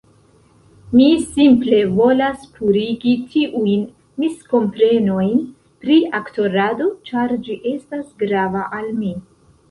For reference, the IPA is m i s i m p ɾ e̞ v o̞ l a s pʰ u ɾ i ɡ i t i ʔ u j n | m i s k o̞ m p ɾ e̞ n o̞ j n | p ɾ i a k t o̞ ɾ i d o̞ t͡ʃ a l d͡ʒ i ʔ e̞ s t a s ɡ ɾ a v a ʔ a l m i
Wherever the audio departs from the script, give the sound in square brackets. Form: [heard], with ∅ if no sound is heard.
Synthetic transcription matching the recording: m i s i m p [l] e̞ v o̞ l a s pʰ u ɾ i ɡ i t i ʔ u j n | m i s k o̞ m p ɾ e̞ n o̞ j n | p ɾ i a k t o̞ ɾ [a] d o̞ t͡ʃ a [ɾ] d͡ʒ i ʔ e̞ s t a s ɡ ɾ a v a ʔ a l m i